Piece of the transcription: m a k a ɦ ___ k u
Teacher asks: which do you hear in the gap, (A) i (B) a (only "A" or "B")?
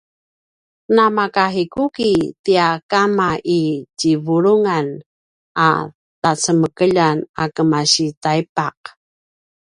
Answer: A